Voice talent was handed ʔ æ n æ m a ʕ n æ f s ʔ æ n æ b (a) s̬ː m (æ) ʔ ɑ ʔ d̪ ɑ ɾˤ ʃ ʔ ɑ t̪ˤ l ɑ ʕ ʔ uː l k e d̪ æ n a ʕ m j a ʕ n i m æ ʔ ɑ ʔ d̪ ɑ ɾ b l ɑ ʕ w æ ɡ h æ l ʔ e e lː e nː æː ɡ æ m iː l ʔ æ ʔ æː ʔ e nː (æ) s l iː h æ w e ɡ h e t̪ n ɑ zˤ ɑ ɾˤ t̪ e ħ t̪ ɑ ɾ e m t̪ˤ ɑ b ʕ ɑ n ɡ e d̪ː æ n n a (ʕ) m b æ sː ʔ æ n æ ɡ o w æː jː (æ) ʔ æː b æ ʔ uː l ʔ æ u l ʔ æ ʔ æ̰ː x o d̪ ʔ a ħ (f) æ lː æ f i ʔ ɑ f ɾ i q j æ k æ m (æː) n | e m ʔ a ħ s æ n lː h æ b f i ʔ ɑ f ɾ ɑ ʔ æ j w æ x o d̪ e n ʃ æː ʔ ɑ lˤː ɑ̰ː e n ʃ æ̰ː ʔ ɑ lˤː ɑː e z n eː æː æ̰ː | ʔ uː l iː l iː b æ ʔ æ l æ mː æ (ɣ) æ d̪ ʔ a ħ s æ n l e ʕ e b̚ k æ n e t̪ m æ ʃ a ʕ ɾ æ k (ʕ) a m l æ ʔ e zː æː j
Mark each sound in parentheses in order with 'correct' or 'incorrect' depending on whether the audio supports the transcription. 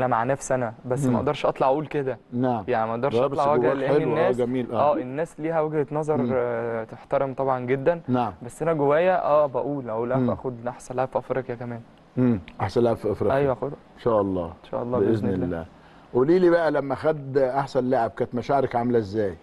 incorrect: æ, correct, incorrect: æː, correct, correct, incorrect: s, correct, incorrect: x, correct

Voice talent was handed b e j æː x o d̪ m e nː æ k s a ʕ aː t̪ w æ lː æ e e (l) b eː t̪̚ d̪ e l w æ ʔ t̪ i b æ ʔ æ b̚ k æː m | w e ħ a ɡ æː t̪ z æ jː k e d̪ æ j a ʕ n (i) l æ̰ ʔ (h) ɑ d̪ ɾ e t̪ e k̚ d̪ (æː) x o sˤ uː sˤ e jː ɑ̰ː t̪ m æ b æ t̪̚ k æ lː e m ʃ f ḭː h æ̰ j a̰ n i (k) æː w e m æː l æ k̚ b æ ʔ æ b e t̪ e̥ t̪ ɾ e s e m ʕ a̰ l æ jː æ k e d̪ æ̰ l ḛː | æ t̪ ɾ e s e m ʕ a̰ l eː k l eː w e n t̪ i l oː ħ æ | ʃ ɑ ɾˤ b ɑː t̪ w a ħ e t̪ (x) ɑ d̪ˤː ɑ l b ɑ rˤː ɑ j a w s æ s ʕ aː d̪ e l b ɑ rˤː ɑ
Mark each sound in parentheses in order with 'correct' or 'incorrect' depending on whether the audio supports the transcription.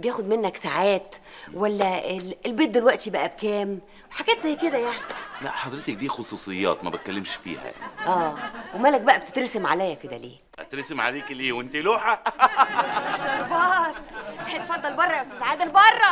correct, correct, incorrect: ħ, incorrect: iː, incorrect: ʔ, incorrect: f

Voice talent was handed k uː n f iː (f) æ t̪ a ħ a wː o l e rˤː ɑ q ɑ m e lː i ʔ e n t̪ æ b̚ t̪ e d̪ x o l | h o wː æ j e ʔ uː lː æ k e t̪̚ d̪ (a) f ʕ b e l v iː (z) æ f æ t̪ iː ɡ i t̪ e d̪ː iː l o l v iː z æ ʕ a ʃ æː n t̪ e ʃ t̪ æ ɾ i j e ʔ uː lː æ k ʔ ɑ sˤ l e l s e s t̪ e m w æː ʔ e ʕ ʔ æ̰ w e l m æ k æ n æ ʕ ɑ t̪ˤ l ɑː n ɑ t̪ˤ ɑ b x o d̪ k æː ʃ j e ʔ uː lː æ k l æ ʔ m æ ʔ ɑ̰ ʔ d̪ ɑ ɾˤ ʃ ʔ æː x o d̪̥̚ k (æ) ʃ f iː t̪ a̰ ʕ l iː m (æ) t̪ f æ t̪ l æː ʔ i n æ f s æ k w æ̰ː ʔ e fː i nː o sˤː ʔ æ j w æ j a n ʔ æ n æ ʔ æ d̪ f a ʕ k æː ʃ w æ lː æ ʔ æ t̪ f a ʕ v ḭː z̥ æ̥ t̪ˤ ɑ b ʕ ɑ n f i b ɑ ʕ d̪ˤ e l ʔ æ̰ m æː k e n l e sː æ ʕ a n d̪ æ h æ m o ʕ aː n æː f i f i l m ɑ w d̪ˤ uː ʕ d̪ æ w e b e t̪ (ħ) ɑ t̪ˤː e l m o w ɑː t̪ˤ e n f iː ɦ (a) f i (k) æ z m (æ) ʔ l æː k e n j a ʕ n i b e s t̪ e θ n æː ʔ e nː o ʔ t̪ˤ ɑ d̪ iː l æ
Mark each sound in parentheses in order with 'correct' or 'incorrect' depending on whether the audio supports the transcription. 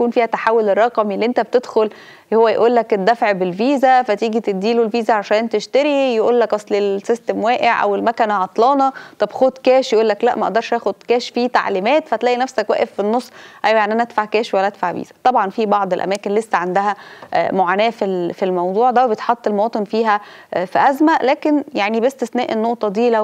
incorrect: h, incorrect: æ, correct, incorrect: æː, incorrect: æː, correct, incorrect: æ, incorrect: ʔ, correct

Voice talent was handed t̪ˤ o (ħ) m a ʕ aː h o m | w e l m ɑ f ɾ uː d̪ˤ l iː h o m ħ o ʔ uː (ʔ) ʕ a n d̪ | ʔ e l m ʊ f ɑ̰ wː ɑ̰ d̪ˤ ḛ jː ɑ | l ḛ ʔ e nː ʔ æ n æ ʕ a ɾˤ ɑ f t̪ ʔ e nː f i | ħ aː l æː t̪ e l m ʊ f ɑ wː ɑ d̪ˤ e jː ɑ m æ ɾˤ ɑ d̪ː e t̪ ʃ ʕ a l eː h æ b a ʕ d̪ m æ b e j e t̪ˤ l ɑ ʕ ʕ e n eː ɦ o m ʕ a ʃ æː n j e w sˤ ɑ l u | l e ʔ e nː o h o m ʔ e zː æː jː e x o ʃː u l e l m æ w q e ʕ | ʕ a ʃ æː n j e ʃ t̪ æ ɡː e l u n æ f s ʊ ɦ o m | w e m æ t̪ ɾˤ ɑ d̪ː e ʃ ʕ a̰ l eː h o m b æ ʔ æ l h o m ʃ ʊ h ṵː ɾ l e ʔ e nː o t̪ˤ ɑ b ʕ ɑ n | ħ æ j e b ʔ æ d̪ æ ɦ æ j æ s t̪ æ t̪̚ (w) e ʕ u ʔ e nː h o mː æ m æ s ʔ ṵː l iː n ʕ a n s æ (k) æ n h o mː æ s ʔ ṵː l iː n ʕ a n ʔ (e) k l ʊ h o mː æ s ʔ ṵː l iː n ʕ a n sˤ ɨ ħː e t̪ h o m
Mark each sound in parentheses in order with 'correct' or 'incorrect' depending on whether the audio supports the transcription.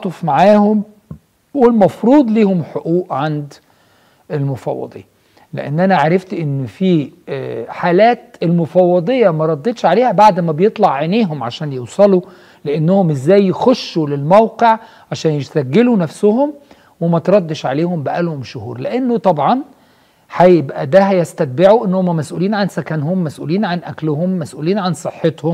incorrect: f, correct, incorrect: b, correct, incorrect: æ

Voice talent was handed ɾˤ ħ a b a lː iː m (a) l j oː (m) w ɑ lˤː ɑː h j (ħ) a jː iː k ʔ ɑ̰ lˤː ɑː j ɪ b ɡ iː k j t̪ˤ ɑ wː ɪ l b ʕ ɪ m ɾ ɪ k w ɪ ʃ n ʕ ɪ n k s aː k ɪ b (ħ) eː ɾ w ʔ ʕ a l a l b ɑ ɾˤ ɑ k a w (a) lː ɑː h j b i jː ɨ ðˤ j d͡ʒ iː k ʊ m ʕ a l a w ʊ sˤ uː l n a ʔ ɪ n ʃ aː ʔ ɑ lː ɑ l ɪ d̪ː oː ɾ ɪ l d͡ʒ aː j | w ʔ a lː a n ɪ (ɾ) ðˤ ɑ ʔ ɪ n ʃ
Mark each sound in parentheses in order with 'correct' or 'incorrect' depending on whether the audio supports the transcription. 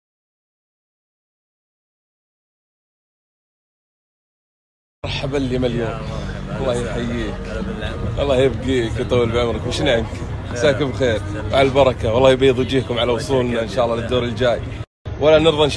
correct, correct, correct, incorrect: x, incorrect: ɑ, correct

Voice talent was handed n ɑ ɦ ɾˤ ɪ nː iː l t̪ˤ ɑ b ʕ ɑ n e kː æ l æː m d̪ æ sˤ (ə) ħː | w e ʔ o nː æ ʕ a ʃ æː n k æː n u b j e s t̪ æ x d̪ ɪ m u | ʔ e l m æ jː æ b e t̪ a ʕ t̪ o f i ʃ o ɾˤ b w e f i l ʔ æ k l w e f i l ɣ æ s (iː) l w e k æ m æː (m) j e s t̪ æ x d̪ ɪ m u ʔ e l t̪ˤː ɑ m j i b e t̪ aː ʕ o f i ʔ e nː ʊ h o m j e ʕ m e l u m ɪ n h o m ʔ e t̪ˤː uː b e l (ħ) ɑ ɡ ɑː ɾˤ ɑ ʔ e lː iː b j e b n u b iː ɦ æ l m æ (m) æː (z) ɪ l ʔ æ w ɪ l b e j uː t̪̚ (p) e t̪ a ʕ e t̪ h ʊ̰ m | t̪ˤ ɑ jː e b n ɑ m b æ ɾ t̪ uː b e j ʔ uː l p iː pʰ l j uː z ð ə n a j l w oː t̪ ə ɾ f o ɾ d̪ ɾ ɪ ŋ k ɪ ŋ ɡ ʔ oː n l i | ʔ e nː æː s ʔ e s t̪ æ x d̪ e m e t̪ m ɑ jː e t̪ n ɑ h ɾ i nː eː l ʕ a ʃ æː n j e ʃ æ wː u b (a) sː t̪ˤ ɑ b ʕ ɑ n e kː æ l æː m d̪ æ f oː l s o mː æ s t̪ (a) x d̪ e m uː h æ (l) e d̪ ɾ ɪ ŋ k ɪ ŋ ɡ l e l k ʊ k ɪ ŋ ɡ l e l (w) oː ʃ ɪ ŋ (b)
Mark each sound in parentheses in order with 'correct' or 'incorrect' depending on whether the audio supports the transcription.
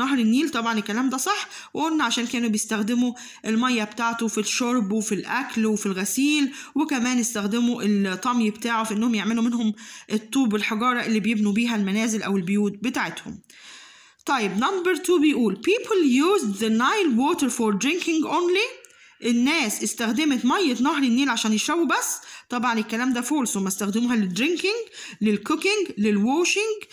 incorrect: ɑ, correct, incorrect: n, correct, incorrect: n, correct, incorrect: b, incorrect: æ, incorrect: æ, correct, correct, incorrect: ɡ

